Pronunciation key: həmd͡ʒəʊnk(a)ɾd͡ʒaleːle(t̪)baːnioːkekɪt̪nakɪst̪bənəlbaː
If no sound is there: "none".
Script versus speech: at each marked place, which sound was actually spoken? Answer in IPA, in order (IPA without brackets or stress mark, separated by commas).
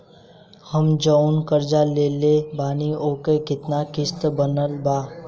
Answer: ə, none